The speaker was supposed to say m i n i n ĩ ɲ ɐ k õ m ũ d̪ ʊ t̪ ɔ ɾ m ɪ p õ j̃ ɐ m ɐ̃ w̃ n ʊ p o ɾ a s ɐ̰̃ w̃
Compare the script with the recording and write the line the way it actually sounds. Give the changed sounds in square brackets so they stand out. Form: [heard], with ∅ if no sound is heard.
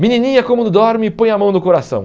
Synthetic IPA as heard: m i n i n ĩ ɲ ɐ k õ m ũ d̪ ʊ [d̪] ɔ ɾ m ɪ p õ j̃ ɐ m ɐ̃ w̃ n ʊ [k] o ɾ a s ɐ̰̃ w̃